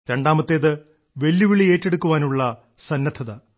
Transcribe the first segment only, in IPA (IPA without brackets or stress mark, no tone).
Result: ɾ